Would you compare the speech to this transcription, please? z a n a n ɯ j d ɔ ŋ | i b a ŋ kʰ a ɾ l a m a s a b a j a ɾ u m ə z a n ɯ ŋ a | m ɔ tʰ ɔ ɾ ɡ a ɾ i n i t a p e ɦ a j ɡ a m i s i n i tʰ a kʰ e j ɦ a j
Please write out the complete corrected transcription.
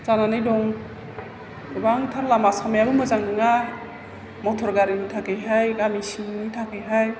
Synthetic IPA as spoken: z a n a n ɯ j d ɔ ŋ | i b a ŋ tʰ a ɾ l a m a s a m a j a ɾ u m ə z a ŋ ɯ ŋ a | m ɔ tʰ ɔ ɾ ɡ a ɾ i n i tʰ a k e ɦ a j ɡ a m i s i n i tʰ a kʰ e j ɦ a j